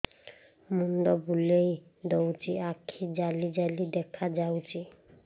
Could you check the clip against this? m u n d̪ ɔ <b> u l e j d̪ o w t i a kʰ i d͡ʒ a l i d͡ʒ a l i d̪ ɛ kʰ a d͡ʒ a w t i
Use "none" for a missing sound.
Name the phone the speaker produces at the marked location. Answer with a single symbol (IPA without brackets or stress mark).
b